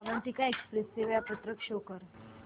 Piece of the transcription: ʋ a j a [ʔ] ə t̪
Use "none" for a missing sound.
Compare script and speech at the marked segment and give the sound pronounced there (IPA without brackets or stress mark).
p